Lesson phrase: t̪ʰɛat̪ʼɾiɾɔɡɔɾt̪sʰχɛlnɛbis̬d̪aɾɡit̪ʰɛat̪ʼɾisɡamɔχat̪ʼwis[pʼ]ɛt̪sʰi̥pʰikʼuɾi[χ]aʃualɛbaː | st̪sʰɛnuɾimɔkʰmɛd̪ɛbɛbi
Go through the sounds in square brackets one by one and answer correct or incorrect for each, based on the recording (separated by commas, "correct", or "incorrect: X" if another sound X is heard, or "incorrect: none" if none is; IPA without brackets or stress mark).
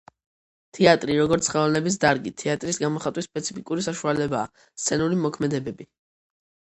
correct, incorrect: s